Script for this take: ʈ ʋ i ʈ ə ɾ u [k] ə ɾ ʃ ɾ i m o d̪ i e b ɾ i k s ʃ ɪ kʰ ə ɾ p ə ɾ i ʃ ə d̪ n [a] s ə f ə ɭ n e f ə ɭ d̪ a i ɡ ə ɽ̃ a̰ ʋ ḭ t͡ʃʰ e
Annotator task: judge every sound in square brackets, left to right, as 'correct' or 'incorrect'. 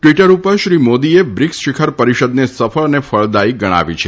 incorrect: p, incorrect: e

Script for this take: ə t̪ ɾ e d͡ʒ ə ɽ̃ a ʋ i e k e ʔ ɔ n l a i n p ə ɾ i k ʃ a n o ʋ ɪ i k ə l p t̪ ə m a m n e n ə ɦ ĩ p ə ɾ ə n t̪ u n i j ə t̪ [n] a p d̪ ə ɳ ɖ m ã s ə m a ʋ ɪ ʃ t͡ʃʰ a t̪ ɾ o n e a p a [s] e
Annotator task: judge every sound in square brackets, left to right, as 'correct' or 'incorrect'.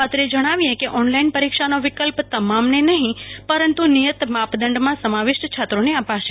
incorrect: m, incorrect: ʃ

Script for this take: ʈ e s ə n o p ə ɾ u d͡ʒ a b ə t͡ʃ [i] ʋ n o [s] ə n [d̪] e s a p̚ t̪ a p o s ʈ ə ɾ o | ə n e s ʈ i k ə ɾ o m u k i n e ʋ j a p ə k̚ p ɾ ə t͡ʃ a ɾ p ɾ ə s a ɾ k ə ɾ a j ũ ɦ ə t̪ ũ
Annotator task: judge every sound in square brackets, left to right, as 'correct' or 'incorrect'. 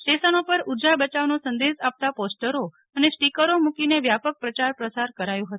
incorrect: a, correct, correct

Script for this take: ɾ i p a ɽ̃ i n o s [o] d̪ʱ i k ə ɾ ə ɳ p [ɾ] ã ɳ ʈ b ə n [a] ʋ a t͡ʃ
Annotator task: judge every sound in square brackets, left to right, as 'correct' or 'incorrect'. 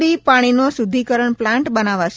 incorrect: u, incorrect: l, correct

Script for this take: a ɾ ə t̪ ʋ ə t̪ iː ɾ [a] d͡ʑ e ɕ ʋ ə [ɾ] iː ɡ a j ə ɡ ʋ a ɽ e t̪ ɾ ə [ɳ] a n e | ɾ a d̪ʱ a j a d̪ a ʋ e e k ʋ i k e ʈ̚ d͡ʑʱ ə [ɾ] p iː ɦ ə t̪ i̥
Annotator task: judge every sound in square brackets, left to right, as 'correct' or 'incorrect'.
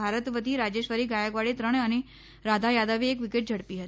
correct, correct, correct, incorrect: ɽ

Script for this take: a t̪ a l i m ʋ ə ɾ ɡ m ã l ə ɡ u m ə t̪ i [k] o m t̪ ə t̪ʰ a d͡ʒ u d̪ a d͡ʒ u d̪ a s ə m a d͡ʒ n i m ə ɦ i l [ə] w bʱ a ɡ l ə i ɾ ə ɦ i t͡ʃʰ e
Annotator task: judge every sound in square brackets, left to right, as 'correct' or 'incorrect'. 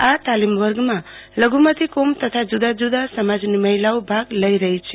correct, incorrect: a

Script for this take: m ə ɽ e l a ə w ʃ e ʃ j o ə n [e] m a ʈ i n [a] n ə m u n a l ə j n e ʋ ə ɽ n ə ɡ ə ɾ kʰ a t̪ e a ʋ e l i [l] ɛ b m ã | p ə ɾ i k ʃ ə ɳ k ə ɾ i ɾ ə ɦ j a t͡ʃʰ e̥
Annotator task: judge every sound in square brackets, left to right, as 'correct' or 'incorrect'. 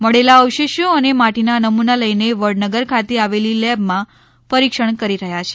correct, correct, correct

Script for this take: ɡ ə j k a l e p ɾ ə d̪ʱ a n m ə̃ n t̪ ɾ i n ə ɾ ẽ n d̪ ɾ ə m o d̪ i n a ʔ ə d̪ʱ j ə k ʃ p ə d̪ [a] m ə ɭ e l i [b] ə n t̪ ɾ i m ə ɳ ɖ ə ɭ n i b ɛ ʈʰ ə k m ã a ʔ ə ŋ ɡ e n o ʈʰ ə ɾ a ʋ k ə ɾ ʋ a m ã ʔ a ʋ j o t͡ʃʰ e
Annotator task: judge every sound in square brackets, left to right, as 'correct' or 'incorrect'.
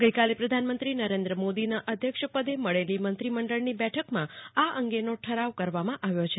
incorrect: e, incorrect: m

